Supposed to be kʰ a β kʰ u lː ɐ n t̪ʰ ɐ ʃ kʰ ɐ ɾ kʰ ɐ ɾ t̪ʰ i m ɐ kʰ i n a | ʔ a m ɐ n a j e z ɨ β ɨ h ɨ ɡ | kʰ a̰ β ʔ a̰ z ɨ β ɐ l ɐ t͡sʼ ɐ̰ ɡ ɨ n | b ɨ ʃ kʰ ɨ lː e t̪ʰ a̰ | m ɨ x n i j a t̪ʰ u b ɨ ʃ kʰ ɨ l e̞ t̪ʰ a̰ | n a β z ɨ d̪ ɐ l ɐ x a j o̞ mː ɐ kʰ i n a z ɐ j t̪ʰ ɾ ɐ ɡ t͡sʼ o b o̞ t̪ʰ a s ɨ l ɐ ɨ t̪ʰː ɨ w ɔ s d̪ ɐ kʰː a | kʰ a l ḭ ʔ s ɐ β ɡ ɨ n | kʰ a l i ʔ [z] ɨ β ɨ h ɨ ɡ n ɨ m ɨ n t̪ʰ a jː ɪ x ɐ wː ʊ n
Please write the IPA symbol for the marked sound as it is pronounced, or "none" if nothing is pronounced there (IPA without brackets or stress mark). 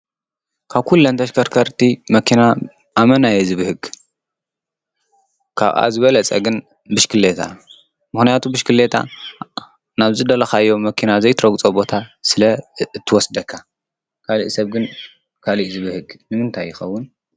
z